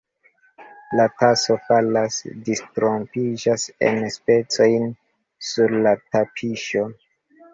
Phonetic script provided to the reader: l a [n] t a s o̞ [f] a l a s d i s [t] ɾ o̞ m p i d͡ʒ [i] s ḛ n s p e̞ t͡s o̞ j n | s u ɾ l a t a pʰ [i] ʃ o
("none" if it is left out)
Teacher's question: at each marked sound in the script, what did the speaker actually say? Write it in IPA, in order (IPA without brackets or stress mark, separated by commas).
none, f, t, a, i